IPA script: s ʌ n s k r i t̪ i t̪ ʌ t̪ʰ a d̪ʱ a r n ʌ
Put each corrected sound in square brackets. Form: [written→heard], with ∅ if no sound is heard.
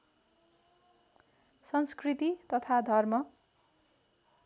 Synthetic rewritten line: s ʌ n s k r i t̪ i t̪ ʌ t̪ʰ a d̪ʱ [a→ʌ] r [n→m] ʌ